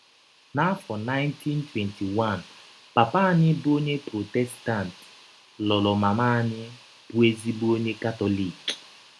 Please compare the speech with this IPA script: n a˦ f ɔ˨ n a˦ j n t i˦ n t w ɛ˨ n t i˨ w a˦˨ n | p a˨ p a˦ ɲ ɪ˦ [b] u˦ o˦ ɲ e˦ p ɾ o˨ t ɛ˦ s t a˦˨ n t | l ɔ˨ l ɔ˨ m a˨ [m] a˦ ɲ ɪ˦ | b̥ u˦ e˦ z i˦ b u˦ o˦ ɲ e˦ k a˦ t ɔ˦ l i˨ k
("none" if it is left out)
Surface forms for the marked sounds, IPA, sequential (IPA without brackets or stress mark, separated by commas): b, m